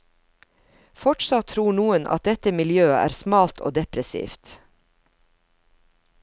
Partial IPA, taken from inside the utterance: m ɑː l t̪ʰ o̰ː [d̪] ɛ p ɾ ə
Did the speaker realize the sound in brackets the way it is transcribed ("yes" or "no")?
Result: yes